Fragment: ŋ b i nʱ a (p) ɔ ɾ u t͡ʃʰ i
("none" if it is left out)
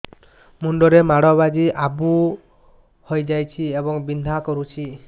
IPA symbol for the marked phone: k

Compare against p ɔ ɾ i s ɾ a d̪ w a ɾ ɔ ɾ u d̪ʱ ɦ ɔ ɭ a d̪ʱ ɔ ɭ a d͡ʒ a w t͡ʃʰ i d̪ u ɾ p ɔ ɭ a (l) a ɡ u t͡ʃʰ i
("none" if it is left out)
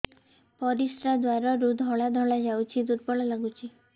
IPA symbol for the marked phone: l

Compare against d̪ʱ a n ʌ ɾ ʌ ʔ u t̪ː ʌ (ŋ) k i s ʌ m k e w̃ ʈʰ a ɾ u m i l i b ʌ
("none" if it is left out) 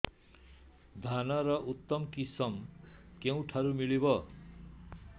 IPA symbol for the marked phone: m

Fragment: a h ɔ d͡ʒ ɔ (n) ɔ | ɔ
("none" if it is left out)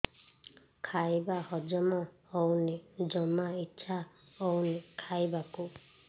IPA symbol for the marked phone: m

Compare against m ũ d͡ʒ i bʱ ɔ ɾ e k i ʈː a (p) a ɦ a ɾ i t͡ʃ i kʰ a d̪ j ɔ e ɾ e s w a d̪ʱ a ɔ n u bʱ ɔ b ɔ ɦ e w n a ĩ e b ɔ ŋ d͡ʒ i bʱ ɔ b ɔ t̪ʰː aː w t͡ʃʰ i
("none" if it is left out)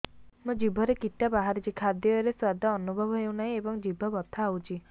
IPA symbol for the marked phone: b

